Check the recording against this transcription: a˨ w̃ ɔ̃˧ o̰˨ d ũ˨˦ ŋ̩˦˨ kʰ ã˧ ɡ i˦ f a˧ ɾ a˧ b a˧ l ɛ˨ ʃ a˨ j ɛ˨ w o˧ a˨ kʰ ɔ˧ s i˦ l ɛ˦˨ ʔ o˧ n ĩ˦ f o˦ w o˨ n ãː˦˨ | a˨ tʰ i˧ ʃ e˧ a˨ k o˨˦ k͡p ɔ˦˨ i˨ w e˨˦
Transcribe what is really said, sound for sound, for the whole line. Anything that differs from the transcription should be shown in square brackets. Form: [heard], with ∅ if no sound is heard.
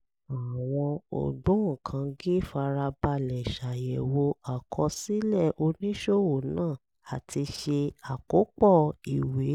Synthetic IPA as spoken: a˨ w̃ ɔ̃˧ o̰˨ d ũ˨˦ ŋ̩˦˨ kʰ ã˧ ɡ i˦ f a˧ ɾ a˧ b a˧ l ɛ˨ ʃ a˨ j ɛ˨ w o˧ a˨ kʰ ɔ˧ s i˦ l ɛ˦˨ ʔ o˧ n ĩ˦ [ʃ] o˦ w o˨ n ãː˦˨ | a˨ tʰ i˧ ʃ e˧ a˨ k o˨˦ k͡p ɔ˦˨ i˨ w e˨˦